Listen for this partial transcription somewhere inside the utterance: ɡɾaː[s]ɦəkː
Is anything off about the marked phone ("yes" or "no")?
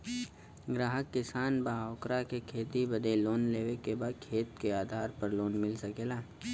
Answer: yes